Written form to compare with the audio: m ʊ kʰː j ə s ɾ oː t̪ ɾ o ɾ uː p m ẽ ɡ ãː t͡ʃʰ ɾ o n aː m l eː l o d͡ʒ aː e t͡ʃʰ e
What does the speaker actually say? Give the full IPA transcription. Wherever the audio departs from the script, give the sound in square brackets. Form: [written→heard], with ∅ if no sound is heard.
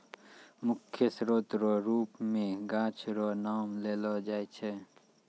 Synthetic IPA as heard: m ʊ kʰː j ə s ɾ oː t̪ ɾ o ɾ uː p m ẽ ɡ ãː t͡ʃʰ ɾ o n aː m l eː l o d͡ʒ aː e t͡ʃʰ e